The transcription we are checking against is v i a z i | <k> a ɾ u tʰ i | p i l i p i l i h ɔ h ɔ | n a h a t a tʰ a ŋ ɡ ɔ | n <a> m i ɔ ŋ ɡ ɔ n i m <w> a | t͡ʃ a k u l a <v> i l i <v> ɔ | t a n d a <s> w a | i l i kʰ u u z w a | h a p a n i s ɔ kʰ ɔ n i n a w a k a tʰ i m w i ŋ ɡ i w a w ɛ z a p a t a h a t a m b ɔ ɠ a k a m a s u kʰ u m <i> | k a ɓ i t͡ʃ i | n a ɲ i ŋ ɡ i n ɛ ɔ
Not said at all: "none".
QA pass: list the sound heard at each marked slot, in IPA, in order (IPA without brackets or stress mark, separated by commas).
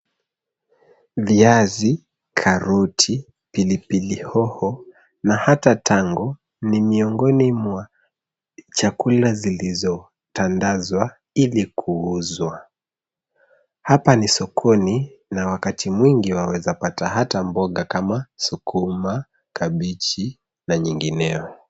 kʰ, i, w, z, z, z, a